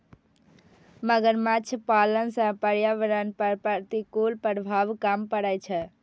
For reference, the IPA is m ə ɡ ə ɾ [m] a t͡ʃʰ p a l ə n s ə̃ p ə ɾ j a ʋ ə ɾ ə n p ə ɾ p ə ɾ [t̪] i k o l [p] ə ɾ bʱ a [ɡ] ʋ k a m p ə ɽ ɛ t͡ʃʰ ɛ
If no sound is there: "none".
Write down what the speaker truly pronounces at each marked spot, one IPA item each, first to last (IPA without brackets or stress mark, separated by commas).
m, t̪, p, none